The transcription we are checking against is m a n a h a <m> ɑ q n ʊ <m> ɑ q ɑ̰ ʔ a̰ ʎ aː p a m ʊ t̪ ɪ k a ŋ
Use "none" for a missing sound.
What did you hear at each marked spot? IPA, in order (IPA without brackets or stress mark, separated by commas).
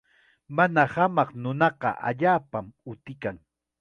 m, n